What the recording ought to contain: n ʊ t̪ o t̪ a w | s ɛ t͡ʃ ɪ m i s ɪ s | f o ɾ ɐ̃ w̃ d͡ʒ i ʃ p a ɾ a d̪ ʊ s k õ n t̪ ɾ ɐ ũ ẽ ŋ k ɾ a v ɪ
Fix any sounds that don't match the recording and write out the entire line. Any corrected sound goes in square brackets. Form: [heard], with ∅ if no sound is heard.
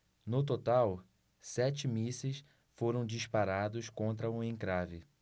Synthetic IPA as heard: n ʊ t̪ o t̪ a w | s ɛ t͡ʃ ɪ m i s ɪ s | f o ɾ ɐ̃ w̃ d͡ʒ i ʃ p a ɾ a d̪ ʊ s k õ n t̪ ɾ ɐ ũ ẽ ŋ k ɾ a v ɪ